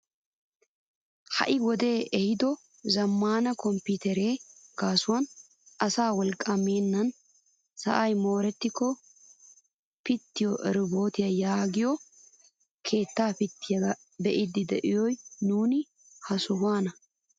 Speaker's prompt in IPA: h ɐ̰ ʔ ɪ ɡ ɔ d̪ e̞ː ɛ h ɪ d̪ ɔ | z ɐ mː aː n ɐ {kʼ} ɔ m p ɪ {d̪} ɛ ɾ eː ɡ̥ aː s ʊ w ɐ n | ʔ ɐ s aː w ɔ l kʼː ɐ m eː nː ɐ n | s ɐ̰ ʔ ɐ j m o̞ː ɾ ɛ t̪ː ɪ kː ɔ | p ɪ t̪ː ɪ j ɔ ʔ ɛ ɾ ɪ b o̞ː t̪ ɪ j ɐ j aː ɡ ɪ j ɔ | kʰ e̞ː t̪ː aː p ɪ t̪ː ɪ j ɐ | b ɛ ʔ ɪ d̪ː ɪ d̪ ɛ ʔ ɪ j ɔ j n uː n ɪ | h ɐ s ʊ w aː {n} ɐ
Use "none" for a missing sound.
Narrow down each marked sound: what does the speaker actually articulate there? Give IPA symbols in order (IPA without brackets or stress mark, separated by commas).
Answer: k, t̪, n